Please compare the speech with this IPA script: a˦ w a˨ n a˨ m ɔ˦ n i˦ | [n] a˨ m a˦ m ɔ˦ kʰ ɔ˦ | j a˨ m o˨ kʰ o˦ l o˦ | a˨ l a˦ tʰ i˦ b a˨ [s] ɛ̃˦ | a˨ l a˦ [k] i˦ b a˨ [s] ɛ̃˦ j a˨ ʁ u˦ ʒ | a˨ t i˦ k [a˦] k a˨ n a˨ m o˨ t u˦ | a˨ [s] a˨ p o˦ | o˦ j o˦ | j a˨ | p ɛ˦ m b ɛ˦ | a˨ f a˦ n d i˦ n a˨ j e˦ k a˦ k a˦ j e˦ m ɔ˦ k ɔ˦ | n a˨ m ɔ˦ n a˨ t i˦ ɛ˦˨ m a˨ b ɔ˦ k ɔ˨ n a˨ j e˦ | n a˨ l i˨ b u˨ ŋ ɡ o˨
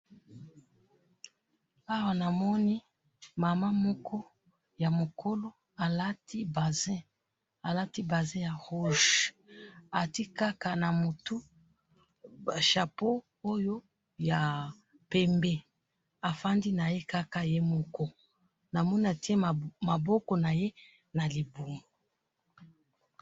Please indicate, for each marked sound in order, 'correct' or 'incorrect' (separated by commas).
incorrect, incorrect, incorrect, incorrect, correct, incorrect